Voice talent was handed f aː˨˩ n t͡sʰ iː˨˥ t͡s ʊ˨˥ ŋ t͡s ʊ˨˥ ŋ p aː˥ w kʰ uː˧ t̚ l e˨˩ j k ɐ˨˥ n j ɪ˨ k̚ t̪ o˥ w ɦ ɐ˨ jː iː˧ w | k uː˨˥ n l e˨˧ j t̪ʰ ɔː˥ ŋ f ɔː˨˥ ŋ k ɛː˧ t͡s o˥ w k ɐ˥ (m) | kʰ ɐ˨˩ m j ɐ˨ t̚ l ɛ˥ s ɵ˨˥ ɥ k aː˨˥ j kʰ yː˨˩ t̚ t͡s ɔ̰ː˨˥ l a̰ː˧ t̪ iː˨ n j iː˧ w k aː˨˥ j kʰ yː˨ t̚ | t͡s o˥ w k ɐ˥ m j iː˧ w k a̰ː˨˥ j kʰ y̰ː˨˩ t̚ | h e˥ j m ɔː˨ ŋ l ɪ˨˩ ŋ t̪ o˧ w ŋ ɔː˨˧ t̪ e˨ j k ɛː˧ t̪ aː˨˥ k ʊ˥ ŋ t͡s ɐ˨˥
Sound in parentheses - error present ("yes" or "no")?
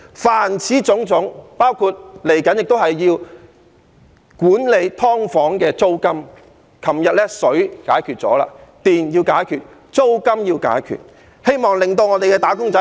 no